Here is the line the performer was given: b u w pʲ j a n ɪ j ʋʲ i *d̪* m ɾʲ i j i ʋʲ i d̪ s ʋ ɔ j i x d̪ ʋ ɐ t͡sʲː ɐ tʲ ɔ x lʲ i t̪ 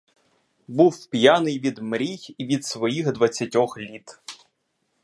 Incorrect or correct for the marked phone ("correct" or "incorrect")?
correct